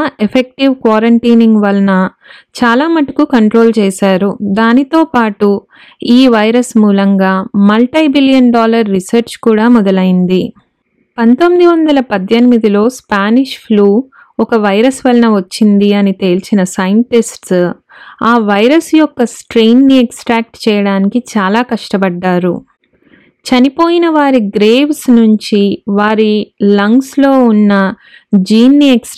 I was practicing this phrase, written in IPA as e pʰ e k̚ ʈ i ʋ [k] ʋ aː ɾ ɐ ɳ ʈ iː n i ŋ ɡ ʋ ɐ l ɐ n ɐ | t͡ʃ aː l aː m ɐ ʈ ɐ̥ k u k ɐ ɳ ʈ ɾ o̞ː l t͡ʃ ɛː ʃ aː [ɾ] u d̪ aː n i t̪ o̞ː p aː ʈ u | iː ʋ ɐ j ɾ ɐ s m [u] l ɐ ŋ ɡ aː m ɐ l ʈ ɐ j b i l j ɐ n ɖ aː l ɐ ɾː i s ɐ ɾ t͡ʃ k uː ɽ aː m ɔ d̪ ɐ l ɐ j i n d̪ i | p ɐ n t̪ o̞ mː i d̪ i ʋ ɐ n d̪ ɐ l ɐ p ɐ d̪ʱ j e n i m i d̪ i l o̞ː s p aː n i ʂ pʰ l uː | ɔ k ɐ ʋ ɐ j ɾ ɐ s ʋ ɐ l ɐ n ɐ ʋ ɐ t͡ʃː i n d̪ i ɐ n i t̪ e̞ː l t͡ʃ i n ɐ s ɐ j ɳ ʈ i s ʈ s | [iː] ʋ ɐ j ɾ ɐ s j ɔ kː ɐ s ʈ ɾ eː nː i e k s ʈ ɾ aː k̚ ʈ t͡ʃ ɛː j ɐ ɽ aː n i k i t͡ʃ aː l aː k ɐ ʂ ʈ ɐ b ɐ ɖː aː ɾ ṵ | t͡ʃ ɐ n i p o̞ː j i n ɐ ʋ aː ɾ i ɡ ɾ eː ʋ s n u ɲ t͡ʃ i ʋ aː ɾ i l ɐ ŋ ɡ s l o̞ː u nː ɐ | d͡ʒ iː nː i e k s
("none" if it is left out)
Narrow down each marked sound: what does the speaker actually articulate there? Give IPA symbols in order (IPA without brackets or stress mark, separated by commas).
k, ɾ, uː, aː